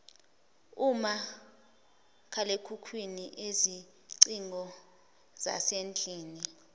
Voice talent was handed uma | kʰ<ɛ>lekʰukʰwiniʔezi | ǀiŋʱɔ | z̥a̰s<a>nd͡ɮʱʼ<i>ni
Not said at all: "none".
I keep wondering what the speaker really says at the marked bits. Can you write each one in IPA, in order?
a, e, iː

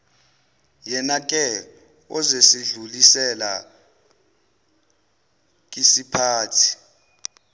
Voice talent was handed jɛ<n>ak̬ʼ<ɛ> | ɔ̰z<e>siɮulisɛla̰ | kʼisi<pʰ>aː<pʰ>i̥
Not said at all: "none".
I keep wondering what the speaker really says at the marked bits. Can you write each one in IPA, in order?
n, ɛ, e, pʰ, tʰ

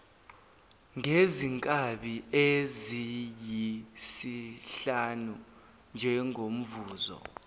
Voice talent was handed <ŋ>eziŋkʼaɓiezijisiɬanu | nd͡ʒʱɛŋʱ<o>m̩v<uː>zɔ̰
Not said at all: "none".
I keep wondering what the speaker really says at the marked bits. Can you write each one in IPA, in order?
ŋ, o, uː

